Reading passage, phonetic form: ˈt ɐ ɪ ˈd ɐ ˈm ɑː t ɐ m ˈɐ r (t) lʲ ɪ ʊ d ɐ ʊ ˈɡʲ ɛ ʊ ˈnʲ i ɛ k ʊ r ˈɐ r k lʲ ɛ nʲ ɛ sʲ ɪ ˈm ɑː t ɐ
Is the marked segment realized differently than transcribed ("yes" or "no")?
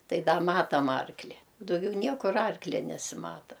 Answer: yes